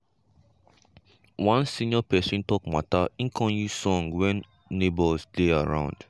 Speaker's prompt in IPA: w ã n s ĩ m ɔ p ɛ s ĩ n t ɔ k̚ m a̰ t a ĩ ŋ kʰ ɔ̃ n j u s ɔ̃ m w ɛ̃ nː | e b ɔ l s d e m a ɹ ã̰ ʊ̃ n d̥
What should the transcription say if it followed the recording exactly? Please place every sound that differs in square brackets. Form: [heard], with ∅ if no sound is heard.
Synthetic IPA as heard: w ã n s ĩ [n] ɔ p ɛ s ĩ n t ɔ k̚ m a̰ t a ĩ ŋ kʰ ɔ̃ n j u s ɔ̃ [ŋ] w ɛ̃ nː | e b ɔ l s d e [∅] a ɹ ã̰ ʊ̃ n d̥